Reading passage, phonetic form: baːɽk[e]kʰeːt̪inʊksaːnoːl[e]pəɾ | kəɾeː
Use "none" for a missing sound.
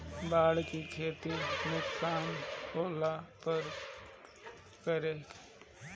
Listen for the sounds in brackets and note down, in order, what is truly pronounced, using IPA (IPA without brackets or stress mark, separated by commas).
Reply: i, a